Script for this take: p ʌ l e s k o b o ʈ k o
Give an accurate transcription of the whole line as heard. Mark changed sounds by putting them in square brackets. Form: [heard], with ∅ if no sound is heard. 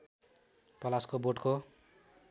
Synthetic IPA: p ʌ l [a] s k o b o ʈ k o